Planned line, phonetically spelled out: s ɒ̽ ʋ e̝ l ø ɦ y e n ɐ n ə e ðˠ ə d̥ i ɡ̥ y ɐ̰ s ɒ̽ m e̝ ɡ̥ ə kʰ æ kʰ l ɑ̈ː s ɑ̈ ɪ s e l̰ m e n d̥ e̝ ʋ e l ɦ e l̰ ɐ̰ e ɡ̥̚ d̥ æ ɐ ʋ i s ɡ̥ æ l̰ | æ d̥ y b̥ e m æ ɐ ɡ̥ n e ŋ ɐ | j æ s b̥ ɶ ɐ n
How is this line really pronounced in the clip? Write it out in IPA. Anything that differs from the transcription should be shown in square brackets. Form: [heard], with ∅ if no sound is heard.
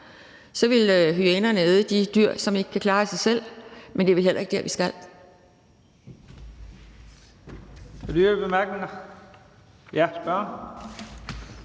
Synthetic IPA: s ɒ̽ ʋ e̝ l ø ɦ y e n ɐ n ə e ðˠ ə d̥ i [d̥] y ɐ̰ s ɒ̽ m e̝ ɡ̥ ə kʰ æ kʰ l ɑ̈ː s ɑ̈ ɪ s e l̰ m e n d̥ e̝ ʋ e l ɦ e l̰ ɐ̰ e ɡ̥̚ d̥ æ ɐ ʋ i s ɡ̥ æ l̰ | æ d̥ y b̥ e m æ ɐ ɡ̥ n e ŋ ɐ | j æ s b̥ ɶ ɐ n

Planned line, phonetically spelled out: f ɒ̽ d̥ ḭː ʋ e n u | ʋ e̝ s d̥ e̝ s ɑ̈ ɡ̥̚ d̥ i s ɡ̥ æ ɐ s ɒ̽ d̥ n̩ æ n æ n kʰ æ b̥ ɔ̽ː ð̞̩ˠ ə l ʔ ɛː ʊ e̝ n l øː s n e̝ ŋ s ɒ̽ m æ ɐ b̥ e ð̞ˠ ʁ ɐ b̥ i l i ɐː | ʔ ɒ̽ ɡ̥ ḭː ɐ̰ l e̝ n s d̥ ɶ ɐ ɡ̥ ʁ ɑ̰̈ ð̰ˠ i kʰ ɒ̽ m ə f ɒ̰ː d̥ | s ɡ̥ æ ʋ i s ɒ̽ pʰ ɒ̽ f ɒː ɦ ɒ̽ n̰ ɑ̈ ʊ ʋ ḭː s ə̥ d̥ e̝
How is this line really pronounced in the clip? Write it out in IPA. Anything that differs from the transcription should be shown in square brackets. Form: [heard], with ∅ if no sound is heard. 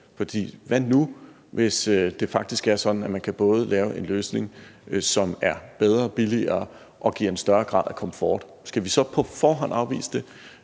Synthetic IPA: f ɒ̽ d̥ ḭː ʋ [æ] n u | ʋ e̝ s d̥ e̝ [f] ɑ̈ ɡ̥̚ d̥ i s ɡ̥ æ ɐ s ɒ̽ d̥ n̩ æ [m] æ n kʰ æ b̥ ɔ̽ː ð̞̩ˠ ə l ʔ ɛː ʊ e̝ n l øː s n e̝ ŋ s ɒ̽ m æ ɐ b̥ e ð̞ˠ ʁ ɐ b̥ i l i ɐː | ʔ ɒ̽ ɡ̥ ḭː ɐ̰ [∅] e̝ n s d̥ ɶ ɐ ɡ̥ ʁ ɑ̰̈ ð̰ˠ [æ] kʰ ɒ̽ m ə f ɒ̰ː d̥ | s ɡ̥ æ ʋ i s ɒ̽ pʰ ɒ̽ f ɒː ɦ ɒ̽ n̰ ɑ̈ ʊ ʋ ḭː s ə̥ d̥ e̝

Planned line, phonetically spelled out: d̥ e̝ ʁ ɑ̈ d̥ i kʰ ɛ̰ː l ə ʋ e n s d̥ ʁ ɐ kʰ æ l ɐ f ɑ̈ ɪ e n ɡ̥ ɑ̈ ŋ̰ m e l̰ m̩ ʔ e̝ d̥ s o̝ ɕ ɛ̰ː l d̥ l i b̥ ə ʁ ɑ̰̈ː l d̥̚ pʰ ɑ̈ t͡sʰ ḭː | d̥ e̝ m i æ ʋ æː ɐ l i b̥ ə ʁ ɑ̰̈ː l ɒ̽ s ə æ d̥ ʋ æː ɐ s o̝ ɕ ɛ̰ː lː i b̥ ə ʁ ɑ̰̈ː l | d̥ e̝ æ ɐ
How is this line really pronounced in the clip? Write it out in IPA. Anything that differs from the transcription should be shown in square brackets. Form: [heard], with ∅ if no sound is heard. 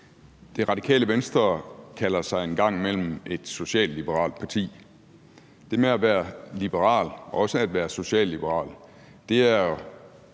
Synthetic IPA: d̥ e̝ ʁ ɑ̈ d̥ i kʰ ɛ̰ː l ə ʋ e n s d̥ ʁ ɐ kʰ æ l ɐ [s] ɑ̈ ɪ e n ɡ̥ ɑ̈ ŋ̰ m e l̰ m̩ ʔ e̝ d̥ s o̝ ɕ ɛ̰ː l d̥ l i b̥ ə ʁ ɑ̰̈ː l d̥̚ pʰ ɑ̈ t͡sʰ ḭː | d̥ e̝ m [e] æ ʋ æː ɐ l i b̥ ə ʁ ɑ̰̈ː l ɒ̽ s ə æ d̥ ʋ æː ɐ s o̝ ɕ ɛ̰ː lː i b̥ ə ʁ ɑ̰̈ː l | d̥ e̝ æ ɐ

